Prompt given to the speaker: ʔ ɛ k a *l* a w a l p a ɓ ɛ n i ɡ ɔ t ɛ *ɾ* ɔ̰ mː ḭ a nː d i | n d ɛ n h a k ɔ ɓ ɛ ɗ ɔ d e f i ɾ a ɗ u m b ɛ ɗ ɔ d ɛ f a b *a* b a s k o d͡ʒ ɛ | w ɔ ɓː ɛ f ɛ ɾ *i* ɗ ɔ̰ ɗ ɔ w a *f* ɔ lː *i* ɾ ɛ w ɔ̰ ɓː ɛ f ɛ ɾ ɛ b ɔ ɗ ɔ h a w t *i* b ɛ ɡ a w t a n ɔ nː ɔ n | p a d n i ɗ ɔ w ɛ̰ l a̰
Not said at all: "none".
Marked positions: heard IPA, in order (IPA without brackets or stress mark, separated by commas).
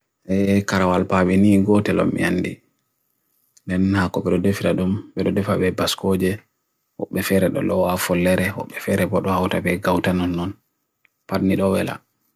ɾ, l, ɛ, ɛ, f, ɛ, a